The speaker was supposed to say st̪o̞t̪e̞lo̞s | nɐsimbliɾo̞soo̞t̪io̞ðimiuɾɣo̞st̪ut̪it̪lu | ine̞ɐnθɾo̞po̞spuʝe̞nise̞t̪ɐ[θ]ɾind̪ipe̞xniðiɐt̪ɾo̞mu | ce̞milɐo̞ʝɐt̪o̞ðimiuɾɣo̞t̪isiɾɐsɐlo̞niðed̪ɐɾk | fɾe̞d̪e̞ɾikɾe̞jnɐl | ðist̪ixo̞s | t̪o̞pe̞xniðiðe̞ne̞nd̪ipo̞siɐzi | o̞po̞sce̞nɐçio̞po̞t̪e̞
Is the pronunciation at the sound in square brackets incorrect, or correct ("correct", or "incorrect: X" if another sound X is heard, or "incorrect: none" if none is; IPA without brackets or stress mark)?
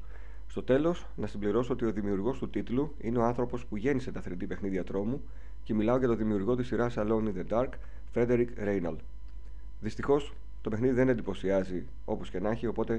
correct